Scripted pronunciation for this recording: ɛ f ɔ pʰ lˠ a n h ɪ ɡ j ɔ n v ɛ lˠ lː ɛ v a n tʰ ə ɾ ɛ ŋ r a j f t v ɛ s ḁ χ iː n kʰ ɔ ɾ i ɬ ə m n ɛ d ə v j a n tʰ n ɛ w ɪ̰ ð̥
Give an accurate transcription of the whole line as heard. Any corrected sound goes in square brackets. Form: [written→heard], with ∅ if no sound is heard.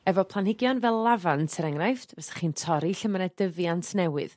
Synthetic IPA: ɛ [f→v] ɔ pʰ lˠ a n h ɪ ɡ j ɔ n v ɛ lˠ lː [ɛ→a] v a n tʰ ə ɾ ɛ ŋ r a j f t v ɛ s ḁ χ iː n [kʰ→tʰ] ɔ ɾ i ɬ ə m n ɛ d ə v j a n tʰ n ɛ w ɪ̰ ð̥